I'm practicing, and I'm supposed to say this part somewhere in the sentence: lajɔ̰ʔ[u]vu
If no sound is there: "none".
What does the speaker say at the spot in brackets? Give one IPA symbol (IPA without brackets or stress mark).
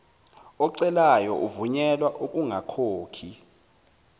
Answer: u